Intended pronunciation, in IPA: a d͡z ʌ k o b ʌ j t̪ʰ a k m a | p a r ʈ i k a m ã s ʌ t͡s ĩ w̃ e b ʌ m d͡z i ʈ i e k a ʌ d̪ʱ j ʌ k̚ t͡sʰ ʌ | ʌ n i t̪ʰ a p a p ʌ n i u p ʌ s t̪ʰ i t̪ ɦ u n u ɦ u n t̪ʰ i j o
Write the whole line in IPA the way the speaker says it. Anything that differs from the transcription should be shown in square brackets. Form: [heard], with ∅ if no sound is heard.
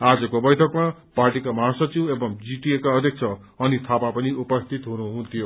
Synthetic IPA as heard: a d͡z ʌ k o b ʌ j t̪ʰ [ʌ] k m a | p a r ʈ i k a m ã s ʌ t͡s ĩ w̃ e b ʌ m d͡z i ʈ i e k a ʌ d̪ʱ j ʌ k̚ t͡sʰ ʌ | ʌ n i t̪ʰ a p a p ʌ n i u p ʌ s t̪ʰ i t̪ ɦ u n u ɦ u n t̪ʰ i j o